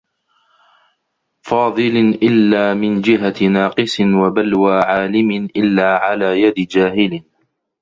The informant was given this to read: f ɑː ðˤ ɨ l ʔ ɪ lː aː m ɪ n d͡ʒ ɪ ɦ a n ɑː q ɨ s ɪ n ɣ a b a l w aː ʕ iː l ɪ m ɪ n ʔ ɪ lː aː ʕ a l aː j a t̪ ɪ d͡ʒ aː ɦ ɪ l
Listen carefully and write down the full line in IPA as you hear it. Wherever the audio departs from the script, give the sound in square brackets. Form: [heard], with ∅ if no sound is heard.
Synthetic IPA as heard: f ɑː ðˤ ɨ l ʔ ɪ lː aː m ɪ n d͡ʒ ɪ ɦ a n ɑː q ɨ s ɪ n [w] a b a l w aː ʕ [aː] l ɪ m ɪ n ʔ ɪ lː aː ʕ a l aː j a [d̪] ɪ d͡ʒ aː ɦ ɪ l